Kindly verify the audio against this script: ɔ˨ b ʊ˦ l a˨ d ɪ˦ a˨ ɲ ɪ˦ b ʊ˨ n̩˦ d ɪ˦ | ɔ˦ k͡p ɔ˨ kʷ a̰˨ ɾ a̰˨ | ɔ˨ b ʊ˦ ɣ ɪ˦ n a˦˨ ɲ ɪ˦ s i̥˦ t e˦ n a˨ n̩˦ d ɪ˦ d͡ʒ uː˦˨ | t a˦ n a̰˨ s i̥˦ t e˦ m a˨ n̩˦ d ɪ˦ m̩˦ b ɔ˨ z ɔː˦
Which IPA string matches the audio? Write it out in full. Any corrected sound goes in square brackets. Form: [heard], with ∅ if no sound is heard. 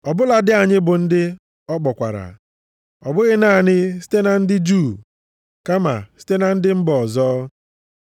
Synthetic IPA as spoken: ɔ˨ b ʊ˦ l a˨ d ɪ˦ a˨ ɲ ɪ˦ b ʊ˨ n̩˦ d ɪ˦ | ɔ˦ k͡p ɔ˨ kʷ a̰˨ ɾ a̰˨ | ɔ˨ b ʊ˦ ɣ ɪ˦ n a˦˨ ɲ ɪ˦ s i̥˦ t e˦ n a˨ n̩˦ d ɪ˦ d͡ʒ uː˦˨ | [k] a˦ [m] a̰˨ s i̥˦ t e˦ [n] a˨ n̩˦ d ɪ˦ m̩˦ b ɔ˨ z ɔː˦